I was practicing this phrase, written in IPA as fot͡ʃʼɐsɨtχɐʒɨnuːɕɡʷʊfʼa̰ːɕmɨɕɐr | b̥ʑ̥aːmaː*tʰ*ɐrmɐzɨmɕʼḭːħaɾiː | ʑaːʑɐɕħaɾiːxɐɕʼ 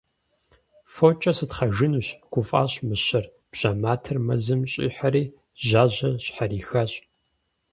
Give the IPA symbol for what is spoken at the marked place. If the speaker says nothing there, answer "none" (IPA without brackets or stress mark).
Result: tʰ